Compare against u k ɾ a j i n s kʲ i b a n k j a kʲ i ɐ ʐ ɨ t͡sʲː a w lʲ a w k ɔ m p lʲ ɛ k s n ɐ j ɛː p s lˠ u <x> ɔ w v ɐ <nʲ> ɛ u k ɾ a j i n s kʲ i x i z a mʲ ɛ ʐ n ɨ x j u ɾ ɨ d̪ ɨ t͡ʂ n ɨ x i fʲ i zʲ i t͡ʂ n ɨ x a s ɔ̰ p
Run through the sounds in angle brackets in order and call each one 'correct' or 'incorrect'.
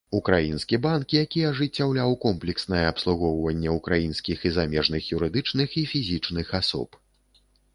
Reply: incorrect, incorrect

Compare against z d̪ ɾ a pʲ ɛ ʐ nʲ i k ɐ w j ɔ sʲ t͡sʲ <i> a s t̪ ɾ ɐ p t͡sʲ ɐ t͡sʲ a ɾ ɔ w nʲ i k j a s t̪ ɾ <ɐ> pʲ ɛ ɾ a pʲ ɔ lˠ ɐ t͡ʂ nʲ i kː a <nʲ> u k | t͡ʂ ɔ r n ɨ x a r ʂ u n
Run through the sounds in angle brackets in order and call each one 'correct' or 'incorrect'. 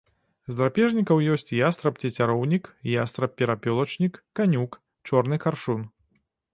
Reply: incorrect, correct, correct

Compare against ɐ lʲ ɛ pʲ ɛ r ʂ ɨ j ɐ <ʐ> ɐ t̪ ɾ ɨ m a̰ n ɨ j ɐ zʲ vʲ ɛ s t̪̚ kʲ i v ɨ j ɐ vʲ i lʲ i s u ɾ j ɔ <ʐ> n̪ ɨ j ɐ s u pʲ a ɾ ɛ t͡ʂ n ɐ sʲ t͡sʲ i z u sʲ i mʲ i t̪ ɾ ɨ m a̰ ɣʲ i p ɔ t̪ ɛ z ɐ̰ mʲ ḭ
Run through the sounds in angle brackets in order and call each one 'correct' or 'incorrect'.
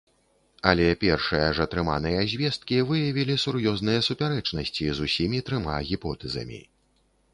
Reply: correct, incorrect

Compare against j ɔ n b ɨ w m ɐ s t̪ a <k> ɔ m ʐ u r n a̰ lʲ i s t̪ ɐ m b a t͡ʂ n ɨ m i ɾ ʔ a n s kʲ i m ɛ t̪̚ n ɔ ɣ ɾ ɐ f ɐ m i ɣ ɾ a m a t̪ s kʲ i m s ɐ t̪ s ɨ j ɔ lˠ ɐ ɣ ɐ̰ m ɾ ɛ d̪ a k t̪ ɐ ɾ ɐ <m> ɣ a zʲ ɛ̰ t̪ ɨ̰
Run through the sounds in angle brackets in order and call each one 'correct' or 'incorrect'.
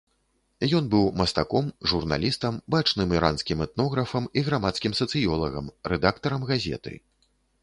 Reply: correct, correct

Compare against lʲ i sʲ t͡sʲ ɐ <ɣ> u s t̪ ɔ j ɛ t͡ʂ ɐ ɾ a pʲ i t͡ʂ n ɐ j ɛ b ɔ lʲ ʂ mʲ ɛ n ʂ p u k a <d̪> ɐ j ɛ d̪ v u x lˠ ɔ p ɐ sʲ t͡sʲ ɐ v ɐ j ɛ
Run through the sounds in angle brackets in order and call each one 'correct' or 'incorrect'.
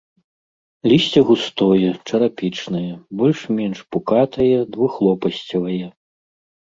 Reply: correct, incorrect

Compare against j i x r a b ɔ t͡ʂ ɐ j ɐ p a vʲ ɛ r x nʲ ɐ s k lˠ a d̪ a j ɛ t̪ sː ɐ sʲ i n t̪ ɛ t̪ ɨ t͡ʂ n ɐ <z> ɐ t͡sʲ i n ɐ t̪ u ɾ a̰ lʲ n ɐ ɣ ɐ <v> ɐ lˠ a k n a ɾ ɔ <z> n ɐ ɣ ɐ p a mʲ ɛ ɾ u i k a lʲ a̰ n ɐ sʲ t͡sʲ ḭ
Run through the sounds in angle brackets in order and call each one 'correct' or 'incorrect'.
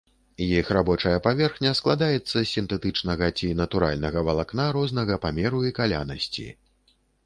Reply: incorrect, correct, correct

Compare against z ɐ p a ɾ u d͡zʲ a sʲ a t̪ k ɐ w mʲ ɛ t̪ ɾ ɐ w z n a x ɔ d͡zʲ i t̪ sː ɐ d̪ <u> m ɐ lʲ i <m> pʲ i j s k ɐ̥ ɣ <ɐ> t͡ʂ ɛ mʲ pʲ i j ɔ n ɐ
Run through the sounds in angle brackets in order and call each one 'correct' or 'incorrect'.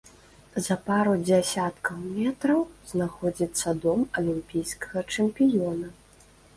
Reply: incorrect, correct, correct

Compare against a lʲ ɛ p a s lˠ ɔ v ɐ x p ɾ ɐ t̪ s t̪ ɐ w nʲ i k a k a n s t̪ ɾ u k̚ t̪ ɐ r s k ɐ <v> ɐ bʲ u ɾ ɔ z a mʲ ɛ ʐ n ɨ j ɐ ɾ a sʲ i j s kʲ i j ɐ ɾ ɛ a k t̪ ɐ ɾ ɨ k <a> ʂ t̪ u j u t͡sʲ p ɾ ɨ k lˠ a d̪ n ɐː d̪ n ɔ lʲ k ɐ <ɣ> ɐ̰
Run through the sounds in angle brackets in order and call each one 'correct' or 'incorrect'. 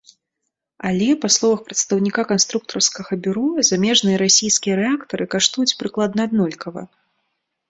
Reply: incorrect, correct, incorrect

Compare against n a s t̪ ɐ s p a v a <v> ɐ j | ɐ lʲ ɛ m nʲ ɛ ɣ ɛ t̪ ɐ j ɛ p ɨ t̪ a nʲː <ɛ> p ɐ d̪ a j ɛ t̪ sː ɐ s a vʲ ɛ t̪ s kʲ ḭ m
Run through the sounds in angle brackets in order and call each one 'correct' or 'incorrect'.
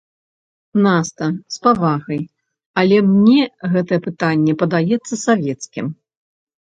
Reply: incorrect, correct

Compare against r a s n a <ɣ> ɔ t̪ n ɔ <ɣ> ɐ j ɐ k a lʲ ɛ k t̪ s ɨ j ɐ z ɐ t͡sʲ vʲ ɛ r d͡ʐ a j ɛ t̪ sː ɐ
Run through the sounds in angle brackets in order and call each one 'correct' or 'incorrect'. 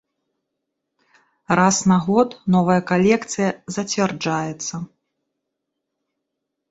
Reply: correct, incorrect

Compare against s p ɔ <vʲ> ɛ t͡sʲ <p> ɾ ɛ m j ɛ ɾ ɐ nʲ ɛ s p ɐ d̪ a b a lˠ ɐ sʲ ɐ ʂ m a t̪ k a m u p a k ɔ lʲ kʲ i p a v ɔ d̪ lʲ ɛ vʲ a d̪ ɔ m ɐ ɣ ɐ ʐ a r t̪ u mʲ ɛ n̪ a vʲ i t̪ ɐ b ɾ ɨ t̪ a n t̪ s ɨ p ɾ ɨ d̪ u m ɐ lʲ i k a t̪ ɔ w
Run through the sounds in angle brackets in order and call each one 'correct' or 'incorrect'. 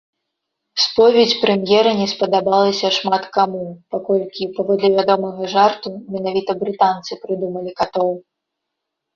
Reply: correct, correct

